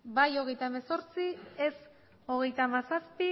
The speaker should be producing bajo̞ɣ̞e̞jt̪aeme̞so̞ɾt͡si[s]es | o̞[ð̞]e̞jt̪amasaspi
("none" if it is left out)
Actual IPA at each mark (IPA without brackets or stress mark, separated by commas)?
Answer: none, ɣ̞